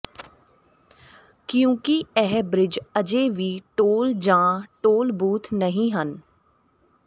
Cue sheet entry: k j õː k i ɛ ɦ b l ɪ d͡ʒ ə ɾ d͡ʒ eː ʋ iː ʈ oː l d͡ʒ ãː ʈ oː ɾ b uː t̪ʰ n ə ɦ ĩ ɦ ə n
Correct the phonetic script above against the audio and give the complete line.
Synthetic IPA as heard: k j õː k i ɛ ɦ b ɾ ɪ d͡ʒ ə d͡ʒ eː ʋ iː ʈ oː l d͡ʒ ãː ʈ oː l b uː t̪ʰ n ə ɦ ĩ ɦ ə n